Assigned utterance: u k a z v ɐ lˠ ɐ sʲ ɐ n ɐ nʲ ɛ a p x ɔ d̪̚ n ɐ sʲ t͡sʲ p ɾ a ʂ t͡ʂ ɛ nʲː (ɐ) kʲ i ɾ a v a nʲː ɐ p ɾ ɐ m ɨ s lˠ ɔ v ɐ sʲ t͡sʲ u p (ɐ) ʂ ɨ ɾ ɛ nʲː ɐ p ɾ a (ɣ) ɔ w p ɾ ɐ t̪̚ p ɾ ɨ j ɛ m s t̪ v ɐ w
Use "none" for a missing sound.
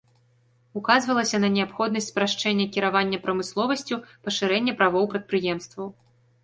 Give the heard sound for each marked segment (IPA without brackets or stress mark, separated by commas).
ɐ, ɐ, v